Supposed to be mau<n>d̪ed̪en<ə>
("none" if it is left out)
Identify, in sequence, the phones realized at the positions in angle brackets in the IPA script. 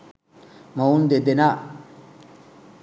n, a

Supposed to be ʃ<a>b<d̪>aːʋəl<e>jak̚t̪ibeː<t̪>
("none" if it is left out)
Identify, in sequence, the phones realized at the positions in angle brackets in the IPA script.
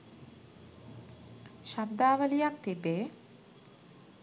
a, d̪, i, none

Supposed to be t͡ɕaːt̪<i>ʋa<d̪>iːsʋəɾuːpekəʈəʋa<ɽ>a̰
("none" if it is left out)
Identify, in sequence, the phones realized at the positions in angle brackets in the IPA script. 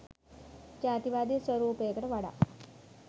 i, d̪, ɽ

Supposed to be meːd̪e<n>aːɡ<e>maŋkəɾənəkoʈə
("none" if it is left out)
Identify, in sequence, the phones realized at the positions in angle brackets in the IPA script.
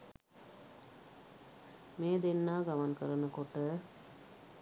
nː, a

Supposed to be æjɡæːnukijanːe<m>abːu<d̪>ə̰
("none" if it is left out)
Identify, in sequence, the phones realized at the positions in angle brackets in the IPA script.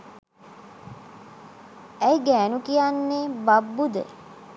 b, d̪

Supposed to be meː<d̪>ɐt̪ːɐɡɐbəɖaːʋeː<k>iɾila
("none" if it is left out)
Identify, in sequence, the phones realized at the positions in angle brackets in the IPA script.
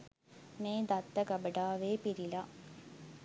d̪, p

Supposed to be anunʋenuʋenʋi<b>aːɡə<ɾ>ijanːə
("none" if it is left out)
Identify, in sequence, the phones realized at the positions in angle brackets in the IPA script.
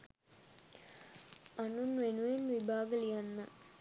b, l

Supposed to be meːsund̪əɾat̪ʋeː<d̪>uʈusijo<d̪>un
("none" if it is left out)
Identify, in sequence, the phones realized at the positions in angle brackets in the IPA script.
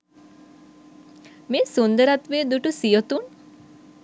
d̪, t̪

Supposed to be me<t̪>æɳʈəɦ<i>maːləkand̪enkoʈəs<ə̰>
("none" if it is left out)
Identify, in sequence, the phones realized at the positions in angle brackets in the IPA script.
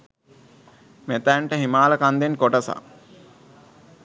t̪, i, a̰

